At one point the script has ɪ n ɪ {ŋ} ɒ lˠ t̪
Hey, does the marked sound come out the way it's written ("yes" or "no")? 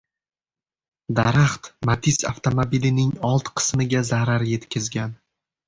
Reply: yes